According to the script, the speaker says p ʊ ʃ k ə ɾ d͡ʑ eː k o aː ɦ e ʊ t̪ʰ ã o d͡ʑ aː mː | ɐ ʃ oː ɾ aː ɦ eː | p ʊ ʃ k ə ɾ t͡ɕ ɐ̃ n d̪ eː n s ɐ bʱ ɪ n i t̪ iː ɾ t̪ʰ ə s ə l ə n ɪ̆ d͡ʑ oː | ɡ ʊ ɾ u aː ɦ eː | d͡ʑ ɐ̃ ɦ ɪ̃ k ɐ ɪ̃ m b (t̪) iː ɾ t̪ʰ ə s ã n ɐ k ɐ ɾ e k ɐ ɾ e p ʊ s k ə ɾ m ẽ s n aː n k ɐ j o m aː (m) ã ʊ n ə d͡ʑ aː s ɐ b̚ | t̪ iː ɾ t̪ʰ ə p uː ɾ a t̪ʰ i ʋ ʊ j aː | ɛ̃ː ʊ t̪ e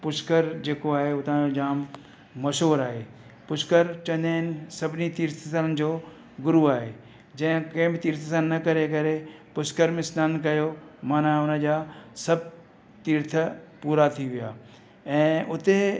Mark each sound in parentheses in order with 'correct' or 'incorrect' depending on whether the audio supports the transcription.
correct, incorrect: n

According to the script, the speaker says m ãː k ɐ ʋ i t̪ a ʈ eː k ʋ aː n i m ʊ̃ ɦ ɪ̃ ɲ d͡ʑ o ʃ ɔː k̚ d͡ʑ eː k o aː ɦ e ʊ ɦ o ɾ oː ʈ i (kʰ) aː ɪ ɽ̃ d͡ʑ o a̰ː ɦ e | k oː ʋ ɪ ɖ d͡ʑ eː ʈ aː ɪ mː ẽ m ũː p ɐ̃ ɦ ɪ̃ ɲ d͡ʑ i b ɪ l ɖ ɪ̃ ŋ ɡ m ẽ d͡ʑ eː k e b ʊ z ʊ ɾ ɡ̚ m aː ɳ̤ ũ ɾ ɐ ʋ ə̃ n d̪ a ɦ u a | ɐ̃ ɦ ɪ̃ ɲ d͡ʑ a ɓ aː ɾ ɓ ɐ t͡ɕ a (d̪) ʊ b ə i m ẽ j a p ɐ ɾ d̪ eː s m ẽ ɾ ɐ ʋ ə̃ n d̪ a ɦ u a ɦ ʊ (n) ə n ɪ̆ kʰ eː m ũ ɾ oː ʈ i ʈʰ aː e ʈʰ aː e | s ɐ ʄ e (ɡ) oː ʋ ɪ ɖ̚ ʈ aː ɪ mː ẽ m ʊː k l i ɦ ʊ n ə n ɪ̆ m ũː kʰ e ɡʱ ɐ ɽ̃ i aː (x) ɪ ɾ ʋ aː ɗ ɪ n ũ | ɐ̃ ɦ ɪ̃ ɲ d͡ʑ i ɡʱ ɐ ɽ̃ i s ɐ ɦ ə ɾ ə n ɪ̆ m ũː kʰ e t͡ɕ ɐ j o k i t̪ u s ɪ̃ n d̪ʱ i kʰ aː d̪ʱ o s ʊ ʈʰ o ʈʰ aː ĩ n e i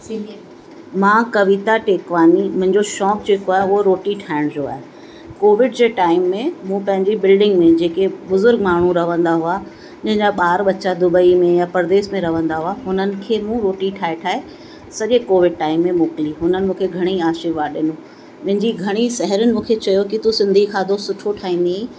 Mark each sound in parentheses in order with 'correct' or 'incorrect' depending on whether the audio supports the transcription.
incorrect: ʈʰ, correct, correct, incorrect: k, incorrect: ʃ

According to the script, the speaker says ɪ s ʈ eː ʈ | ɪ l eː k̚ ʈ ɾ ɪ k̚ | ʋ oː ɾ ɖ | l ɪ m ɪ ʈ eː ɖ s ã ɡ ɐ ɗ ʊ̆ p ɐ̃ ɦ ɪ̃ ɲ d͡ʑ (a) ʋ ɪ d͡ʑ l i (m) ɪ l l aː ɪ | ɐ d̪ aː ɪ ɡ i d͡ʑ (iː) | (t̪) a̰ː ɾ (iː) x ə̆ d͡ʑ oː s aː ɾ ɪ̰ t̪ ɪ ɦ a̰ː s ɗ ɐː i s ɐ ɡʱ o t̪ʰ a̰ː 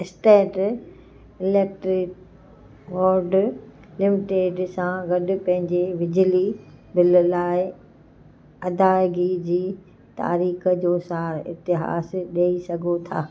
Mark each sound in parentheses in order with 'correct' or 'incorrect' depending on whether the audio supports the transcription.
incorrect: e, incorrect: b, correct, correct, correct

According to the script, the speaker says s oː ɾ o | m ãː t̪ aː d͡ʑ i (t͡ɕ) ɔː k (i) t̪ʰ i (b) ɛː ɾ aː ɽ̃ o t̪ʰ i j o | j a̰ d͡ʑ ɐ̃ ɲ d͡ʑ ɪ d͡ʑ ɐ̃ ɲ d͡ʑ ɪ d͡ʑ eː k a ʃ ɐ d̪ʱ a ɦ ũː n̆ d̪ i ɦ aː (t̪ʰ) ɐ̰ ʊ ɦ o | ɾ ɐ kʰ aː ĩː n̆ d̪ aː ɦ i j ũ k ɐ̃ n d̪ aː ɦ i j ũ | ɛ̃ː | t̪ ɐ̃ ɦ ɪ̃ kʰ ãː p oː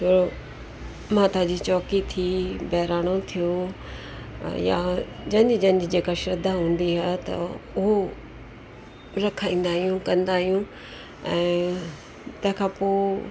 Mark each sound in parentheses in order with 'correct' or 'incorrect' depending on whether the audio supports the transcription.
correct, correct, correct, incorrect: t̪

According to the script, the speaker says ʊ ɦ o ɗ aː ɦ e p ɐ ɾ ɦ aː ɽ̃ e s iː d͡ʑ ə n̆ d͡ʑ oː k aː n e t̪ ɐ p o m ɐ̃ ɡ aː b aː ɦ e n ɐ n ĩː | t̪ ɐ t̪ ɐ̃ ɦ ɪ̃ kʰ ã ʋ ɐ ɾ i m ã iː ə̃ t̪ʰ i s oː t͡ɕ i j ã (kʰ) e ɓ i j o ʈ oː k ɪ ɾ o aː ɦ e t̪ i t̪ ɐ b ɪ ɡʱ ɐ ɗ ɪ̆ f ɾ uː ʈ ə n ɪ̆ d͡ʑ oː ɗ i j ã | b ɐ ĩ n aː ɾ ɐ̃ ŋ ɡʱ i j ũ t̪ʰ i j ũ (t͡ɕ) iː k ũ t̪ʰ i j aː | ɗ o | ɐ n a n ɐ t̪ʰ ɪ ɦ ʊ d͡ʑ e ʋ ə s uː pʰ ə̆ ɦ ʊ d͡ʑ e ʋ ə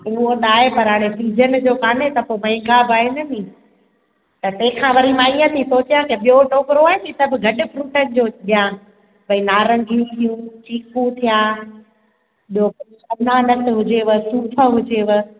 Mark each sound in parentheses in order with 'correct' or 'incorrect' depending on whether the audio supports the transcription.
incorrect: k, correct

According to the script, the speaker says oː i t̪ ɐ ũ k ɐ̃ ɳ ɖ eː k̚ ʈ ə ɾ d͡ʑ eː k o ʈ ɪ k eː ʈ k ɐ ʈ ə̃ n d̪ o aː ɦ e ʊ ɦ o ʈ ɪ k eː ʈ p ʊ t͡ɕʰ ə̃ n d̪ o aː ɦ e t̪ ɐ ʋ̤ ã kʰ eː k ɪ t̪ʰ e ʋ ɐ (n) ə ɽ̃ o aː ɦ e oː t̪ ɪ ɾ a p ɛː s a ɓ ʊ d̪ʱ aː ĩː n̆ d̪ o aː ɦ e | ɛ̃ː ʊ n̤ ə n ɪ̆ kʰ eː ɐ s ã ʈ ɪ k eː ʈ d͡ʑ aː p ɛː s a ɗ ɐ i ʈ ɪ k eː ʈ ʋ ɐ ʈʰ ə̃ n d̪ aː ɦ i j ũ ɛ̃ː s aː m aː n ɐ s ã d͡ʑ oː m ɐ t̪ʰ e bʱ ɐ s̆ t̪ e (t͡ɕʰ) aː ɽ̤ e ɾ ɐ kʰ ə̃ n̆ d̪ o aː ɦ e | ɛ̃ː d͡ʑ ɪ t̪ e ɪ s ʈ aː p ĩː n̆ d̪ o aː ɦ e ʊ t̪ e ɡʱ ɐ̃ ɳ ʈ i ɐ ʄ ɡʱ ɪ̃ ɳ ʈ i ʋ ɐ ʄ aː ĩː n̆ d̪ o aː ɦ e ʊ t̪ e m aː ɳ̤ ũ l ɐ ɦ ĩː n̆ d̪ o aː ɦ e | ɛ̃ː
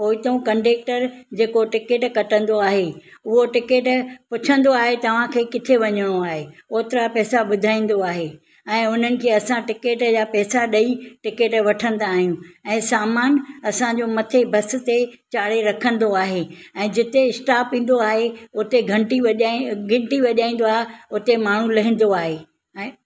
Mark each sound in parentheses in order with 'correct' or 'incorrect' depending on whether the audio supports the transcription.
incorrect: ɲ, incorrect: t͡ɕ

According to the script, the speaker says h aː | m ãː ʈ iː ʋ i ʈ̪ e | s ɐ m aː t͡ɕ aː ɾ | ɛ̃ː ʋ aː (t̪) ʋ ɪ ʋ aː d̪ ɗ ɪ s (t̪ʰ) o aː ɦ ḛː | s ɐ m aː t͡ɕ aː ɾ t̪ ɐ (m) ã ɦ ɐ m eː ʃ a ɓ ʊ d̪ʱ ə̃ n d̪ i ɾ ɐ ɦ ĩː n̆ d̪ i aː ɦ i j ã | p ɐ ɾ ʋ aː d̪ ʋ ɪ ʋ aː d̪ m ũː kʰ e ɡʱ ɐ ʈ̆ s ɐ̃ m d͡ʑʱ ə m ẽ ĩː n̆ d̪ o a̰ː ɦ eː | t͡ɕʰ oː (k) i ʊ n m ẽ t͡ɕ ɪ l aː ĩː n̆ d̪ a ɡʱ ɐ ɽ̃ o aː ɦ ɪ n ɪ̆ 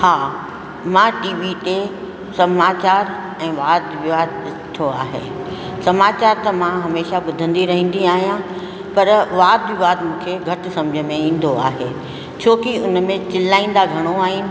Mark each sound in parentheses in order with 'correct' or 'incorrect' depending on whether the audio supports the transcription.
incorrect: d̪, correct, correct, correct

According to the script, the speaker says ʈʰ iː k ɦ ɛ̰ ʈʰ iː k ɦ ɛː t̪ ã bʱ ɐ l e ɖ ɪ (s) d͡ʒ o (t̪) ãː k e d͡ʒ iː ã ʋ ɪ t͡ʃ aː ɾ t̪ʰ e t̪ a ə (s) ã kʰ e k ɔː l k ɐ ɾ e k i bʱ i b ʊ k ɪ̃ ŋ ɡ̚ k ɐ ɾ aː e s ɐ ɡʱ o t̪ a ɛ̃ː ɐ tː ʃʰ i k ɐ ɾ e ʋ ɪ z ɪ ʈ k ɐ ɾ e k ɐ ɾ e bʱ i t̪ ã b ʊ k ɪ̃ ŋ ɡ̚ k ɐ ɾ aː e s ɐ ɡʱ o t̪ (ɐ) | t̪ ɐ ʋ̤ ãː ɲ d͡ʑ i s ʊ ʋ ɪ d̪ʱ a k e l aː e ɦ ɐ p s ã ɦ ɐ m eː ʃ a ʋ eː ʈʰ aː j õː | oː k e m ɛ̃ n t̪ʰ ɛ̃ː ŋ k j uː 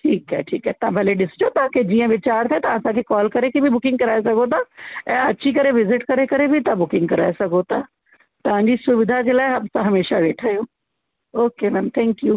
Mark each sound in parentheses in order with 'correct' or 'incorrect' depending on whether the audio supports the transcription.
correct, correct, correct, incorrect: a

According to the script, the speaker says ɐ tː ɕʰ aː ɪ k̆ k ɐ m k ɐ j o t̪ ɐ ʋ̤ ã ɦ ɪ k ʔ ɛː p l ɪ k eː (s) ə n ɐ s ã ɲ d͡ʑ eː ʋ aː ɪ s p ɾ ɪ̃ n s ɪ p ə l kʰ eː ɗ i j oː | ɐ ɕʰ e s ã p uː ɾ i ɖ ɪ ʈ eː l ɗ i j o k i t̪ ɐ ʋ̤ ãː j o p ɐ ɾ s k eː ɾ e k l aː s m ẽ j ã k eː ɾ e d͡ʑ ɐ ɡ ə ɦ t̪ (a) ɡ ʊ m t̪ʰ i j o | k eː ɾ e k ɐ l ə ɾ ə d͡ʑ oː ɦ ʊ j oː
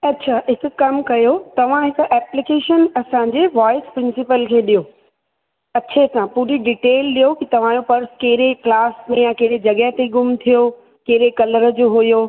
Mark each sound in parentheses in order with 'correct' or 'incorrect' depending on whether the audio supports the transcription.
incorrect: ʃ, incorrect: e

